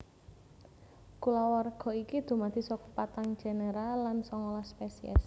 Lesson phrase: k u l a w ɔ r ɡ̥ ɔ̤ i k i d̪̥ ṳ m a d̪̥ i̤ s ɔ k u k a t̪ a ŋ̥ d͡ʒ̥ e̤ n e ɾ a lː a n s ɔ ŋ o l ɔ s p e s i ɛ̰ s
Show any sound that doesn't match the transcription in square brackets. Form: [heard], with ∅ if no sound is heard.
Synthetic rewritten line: k u l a w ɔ r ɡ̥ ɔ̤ i k i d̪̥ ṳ m a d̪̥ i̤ s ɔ k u [p] a t̪ a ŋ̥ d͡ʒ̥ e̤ n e ɾ a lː a n s ɔ ŋ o l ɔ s p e s i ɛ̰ s